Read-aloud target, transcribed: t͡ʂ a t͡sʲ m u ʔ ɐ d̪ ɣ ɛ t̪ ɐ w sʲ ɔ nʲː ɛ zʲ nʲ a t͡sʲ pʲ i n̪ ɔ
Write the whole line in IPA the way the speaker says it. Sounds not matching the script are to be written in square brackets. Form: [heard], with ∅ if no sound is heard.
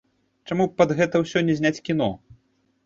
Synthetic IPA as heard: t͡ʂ a [∅] m u [p] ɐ d̪ ɣ ɛ t̪ ɐ w sʲ ɔ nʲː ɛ zʲ nʲ a t͡sʲ [kʲ] i n̪ ɔ